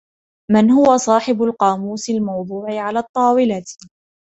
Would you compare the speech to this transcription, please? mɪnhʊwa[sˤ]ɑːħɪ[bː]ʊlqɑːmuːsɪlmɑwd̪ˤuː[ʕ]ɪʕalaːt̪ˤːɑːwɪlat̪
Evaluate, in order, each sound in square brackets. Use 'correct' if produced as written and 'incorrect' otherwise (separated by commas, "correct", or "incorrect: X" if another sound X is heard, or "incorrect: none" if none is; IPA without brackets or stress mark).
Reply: correct, incorrect: b, correct